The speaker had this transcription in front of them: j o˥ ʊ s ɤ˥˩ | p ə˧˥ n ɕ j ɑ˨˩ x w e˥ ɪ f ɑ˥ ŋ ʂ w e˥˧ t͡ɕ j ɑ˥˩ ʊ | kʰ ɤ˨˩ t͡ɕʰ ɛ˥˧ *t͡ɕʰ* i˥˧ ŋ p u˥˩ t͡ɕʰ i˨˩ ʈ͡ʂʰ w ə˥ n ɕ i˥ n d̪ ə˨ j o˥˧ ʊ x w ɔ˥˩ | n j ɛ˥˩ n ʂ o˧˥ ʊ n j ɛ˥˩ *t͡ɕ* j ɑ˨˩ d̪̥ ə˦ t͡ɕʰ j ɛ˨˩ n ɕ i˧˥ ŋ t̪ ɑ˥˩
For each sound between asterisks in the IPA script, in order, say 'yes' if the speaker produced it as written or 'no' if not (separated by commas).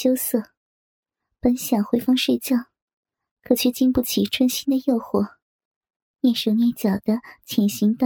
no, yes